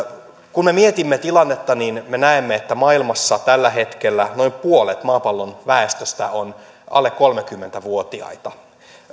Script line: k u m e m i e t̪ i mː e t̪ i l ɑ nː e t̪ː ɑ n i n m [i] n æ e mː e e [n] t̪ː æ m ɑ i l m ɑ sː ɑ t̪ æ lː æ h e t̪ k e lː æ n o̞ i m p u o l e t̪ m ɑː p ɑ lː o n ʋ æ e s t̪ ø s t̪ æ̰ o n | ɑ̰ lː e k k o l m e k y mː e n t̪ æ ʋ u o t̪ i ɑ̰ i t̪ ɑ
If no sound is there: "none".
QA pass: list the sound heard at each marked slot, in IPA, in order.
e, none

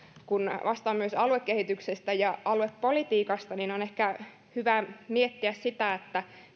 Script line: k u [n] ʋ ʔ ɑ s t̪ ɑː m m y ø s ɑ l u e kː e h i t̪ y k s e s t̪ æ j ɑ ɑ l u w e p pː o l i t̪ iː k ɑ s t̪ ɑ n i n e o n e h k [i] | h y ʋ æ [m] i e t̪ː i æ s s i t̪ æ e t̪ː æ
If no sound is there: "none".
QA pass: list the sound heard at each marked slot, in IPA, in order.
n, æ, m

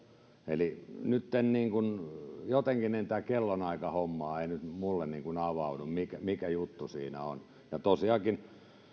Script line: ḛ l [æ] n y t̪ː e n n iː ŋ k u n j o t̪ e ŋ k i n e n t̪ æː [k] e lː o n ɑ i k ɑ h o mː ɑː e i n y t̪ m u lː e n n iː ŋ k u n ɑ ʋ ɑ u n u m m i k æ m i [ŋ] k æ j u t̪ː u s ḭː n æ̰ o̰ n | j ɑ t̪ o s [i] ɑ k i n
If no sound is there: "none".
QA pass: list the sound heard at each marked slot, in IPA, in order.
i, k, none, i

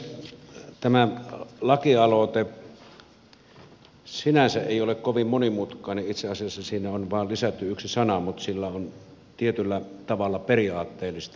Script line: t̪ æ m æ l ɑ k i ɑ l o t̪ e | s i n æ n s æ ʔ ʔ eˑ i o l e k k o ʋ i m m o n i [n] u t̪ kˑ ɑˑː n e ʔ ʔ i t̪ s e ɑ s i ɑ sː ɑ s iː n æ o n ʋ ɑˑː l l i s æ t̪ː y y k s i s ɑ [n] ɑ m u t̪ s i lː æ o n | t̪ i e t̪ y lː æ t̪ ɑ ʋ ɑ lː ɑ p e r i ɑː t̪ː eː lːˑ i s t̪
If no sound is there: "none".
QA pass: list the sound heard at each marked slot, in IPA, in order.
m, n

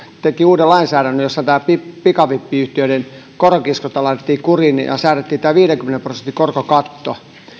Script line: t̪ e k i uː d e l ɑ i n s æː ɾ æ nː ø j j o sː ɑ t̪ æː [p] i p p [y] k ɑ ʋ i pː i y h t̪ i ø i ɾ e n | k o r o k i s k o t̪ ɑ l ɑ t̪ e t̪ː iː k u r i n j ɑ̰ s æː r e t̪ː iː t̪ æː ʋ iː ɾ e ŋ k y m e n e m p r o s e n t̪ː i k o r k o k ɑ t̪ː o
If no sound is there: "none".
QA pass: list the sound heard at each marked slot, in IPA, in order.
p, i

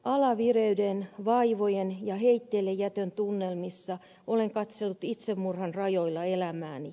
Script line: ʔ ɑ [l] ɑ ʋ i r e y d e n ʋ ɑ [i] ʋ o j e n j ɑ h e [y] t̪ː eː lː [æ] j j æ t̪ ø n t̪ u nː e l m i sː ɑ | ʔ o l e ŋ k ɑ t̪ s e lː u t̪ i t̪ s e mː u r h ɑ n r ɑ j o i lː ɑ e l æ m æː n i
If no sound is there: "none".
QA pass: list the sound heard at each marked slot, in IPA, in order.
l, i, i, e

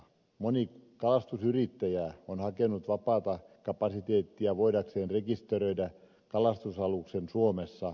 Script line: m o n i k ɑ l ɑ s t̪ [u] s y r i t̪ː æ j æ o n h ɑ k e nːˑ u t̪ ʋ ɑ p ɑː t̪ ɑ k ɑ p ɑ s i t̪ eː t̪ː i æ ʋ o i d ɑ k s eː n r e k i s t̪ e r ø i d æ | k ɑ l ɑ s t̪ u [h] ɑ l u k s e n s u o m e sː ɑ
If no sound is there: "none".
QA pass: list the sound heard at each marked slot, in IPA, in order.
u, s

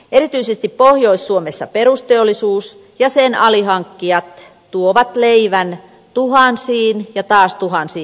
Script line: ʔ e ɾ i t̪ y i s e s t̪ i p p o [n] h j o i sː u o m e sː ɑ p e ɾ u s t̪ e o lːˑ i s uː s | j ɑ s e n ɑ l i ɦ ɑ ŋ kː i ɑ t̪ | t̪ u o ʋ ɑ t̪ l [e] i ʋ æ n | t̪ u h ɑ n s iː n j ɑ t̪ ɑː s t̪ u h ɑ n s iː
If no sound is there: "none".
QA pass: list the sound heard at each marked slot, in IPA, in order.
none, e

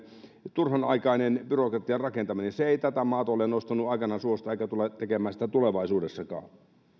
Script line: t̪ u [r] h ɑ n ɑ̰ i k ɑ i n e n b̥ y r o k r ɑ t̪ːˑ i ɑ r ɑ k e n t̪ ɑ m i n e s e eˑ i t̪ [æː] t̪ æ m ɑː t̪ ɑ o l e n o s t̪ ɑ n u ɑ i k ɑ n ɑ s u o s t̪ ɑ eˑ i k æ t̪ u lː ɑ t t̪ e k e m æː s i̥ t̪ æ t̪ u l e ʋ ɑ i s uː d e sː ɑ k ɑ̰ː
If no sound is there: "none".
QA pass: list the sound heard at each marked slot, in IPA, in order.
r, æ

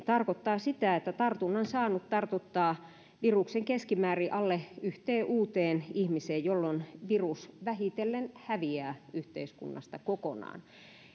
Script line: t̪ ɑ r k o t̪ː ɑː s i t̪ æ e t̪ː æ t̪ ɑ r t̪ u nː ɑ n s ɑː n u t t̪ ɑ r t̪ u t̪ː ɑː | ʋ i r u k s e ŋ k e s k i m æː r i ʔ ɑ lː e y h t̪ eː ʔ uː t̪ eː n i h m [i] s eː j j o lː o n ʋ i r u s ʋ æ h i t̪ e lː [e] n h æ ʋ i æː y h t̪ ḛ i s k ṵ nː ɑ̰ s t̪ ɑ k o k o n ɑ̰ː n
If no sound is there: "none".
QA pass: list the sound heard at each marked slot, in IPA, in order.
i, e

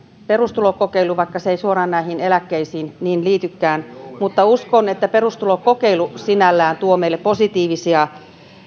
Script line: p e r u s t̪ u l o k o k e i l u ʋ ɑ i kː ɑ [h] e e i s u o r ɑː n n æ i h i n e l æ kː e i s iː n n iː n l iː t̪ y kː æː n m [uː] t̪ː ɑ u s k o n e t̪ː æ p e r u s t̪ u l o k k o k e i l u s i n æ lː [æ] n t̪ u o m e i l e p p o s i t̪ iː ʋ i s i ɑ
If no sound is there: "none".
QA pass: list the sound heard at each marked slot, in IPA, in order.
s, u, æː

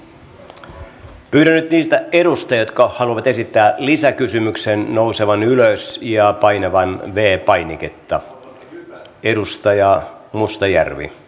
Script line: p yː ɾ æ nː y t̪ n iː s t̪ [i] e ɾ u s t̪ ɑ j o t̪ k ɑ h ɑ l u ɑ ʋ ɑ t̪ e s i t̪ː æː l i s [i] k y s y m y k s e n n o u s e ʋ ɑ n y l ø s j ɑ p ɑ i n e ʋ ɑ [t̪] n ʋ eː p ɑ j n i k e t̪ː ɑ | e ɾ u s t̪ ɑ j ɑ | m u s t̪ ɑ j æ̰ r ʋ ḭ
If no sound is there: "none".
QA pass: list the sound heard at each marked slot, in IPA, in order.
æ, æ, none

